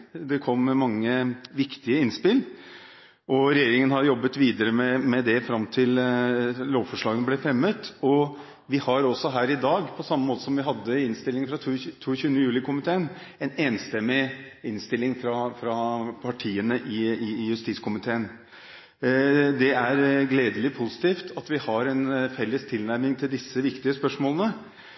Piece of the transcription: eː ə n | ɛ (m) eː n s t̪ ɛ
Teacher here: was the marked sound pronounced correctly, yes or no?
no